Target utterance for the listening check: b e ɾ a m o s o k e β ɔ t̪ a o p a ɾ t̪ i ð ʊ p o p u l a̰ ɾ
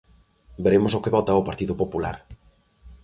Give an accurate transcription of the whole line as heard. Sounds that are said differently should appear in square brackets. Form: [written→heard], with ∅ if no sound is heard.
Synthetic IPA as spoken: b e ɾ [a→e] m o s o k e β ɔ t̪ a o p a ɾ t̪ i ð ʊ p o p u l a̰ ɾ